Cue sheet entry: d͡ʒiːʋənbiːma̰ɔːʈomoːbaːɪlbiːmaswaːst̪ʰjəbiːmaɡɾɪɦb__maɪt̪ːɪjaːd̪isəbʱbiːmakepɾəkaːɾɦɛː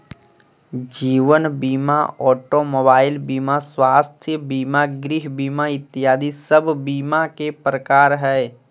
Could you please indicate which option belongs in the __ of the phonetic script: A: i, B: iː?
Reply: B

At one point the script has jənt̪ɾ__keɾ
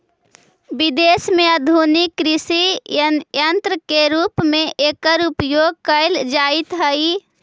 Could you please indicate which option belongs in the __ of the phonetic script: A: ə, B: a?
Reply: A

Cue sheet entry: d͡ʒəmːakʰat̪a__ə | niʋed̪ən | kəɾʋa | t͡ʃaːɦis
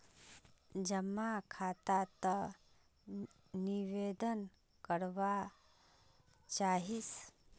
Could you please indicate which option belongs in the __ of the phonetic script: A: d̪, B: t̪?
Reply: B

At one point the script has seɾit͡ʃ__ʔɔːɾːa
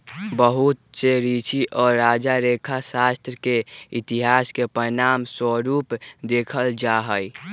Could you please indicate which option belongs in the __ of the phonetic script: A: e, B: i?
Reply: B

